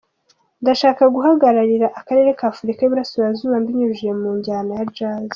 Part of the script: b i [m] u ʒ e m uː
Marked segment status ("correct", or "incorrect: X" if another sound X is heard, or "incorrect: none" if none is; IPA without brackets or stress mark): incorrect: ɲ